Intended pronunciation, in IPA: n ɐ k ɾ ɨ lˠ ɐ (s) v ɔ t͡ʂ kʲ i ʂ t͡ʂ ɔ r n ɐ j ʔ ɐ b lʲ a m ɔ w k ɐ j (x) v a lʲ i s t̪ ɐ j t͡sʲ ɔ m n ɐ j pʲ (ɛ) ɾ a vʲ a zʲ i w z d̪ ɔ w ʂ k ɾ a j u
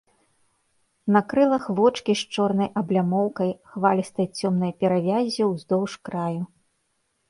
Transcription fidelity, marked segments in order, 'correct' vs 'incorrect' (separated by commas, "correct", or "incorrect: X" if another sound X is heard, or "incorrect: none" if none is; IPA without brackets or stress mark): incorrect: x, correct, correct